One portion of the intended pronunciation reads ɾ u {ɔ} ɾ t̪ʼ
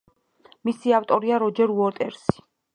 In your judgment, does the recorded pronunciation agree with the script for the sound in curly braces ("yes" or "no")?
yes